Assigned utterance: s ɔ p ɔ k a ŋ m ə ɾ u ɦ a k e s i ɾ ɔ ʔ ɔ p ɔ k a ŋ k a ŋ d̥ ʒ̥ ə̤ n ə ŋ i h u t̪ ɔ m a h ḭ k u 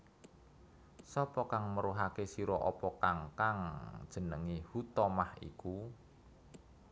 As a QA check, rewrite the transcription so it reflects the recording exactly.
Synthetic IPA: s ɔ p ɔ k a ŋ m ə ɾ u ɦ a k e s i ɾ ɔ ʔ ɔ p ɔ k a ŋ k a ŋ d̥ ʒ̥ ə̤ n ə ŋ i h u t̪ ɔ m a h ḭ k u